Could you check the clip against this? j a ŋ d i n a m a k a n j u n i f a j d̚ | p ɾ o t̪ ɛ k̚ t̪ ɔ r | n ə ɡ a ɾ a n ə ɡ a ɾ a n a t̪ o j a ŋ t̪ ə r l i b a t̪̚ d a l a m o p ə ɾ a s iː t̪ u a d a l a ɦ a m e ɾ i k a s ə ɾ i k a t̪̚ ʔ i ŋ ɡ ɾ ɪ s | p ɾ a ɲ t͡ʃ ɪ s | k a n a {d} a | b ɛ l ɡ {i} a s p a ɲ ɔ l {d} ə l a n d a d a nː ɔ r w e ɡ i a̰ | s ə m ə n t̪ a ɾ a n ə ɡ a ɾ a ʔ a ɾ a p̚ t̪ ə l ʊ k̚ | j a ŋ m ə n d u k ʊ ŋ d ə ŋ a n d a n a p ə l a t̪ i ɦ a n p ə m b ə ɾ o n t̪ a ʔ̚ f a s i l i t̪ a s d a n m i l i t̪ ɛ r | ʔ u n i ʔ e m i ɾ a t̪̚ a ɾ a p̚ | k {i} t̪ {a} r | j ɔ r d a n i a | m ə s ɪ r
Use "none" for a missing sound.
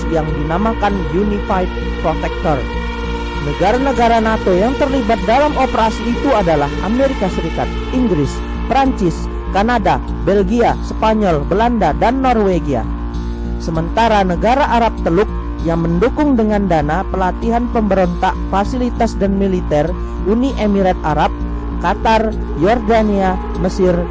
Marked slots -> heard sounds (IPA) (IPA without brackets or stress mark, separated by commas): d, i, b, a, a